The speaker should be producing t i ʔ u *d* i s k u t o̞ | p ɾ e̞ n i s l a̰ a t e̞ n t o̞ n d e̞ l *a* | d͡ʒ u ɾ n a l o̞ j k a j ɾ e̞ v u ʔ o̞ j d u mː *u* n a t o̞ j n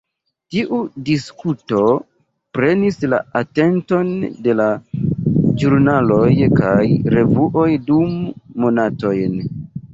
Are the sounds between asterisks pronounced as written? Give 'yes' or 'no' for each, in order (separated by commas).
yes, yes, no